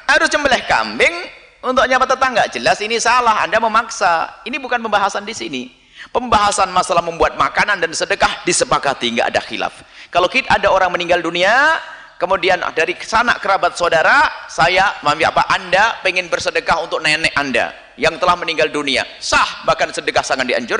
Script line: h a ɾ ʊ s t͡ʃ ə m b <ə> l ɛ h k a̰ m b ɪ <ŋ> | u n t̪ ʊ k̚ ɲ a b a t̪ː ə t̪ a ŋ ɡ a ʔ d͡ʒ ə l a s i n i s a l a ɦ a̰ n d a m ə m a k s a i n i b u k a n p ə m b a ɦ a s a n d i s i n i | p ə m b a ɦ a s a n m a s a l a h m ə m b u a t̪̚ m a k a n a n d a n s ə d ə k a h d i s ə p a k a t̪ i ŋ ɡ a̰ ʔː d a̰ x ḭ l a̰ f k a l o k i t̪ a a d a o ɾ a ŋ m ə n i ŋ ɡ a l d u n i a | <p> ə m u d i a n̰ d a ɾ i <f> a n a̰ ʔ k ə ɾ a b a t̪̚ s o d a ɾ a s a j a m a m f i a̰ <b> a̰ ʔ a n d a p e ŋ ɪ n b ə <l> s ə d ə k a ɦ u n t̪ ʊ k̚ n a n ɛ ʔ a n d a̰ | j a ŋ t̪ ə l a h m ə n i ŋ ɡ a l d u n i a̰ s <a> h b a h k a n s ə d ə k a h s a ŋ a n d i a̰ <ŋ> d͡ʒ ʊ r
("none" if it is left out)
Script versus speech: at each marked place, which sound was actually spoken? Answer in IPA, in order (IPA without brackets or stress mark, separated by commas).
ə, ŋ, k, s, p, r, a, ɲ